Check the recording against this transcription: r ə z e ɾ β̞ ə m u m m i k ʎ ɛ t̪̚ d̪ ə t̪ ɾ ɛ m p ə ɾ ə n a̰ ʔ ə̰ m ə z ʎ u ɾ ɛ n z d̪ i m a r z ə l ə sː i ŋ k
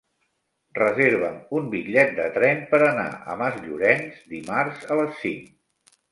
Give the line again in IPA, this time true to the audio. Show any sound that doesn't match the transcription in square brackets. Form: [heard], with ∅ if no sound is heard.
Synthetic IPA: r ə z e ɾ β̞ ə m u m [b] i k ʎ ɛ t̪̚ d̪ ə t̪ ɾ ɛ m p ə ɾ ə n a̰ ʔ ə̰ m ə z ʎ u ɾ ɛ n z d̪ i m a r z ə l ə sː i ŋ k